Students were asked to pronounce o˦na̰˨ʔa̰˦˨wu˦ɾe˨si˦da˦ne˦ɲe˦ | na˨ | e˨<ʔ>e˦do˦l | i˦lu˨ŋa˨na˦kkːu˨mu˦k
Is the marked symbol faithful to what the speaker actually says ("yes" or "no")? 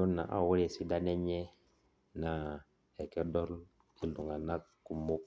no